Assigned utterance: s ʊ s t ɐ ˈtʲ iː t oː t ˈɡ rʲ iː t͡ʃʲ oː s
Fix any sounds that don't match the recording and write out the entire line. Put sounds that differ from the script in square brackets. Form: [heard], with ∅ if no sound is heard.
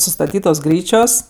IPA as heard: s ʊ s t ɐ ˈtʲ iː t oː [s] ˈɡ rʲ iː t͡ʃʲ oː s